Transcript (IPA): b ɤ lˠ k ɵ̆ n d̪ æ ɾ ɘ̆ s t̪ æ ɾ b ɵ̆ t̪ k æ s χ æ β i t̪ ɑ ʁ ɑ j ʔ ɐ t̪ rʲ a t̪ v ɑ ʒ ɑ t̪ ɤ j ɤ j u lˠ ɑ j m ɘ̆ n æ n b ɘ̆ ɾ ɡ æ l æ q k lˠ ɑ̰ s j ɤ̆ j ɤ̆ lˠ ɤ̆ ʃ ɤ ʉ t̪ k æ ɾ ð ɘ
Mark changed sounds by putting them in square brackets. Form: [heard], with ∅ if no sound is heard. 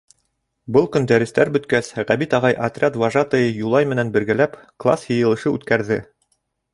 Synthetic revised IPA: b ɤ lˠ k ɵ̆ n d̪ æ ɾ ɘ̆ s t̪ æ ɾ b ɵ̆ t̪ k æ s [ʁ] æ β i t̪ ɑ ʁ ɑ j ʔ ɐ t̪ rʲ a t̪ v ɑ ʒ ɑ t̪ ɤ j ɤ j u lˠ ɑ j m ɘ̆ n æ n b ɘ̆ ɾ ɡ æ l æ [p] k lˠ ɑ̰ s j ɤ̆ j ɤ̆ lˠ ɤ̆ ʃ ɤ ʉ t̪ k æ ɾ ð ɘ